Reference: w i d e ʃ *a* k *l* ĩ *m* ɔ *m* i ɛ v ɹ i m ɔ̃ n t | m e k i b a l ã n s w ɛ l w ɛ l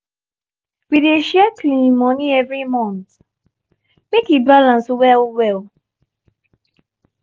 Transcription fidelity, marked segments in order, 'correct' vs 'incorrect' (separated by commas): incorrect, correct, correct, incorrect